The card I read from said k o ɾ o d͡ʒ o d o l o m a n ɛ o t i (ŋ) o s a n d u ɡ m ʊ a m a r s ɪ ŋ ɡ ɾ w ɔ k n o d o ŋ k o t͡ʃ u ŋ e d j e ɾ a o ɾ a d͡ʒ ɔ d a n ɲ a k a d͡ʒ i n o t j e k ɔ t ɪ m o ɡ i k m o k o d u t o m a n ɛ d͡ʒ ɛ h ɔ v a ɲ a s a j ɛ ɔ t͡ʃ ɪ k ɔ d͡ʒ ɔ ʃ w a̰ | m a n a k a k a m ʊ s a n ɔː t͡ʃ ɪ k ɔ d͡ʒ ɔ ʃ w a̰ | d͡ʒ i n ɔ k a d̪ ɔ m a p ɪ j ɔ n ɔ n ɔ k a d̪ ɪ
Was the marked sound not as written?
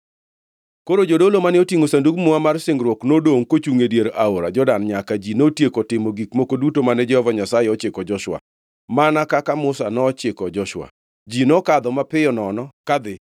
no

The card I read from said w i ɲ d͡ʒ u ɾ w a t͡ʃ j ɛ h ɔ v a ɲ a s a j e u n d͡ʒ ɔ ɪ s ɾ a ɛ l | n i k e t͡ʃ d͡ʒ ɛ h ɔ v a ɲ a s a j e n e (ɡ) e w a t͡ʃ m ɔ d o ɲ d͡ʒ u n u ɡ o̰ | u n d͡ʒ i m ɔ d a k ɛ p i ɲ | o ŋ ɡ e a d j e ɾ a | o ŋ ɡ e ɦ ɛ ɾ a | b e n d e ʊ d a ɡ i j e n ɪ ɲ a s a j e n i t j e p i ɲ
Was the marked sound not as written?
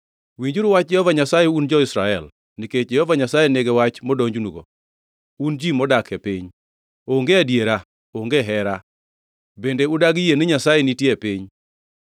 no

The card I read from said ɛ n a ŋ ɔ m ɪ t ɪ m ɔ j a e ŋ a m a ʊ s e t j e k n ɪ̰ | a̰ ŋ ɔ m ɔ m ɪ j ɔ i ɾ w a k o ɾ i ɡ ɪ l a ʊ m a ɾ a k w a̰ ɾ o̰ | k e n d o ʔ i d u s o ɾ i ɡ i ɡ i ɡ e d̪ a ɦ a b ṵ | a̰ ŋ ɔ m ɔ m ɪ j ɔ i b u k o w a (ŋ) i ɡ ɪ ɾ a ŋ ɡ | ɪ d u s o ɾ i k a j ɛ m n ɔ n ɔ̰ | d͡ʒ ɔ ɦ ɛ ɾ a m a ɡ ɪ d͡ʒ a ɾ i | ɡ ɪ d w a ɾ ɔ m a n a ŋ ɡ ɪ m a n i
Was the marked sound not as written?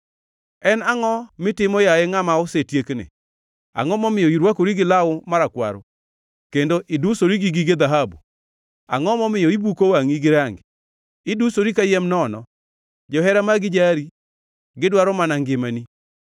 no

